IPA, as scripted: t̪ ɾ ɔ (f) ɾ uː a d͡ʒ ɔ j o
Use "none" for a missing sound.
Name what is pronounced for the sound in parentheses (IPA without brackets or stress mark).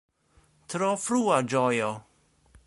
f